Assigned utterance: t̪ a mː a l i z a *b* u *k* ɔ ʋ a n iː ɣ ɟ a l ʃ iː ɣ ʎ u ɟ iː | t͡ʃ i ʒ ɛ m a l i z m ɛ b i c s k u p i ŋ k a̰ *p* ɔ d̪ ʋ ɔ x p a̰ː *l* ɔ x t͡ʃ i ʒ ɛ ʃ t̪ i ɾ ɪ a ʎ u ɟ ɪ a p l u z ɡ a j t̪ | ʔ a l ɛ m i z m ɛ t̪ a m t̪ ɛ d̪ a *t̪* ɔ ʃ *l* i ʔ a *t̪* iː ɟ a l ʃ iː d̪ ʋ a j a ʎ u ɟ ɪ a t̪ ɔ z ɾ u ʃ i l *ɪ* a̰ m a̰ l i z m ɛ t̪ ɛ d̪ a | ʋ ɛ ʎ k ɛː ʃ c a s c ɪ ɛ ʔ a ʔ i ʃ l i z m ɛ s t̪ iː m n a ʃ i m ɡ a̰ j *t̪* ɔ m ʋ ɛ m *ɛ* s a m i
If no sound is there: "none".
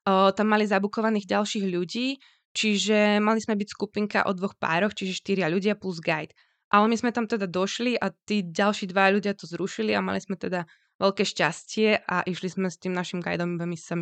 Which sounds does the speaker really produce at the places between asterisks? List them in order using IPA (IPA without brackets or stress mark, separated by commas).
b, k, ʔ, ɾ, d̪, l, t̪, i, d̪, i